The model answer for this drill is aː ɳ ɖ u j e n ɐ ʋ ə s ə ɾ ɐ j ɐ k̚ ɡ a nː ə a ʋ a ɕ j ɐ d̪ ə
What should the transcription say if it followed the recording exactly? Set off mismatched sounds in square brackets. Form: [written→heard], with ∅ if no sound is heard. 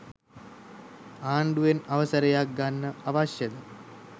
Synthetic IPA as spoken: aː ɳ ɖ u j e n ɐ ʋ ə s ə ɾ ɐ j [ɐ→a] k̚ ɡ a nː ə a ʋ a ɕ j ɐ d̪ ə